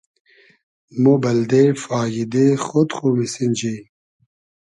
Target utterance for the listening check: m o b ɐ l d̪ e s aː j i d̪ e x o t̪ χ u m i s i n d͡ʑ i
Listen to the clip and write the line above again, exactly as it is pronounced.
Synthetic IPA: m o b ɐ l d̪ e f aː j i d̪ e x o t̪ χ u m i s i n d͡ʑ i